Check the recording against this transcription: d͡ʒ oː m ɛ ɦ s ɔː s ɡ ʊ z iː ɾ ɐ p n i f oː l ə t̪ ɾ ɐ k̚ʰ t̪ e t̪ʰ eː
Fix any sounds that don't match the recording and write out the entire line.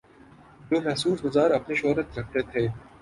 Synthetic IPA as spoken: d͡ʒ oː m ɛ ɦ s uː s ɡ ʊ z aː ɾ ɐ p n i ʃ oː ɾ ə t̪ ɾ ɐ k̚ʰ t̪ e t̪ʰ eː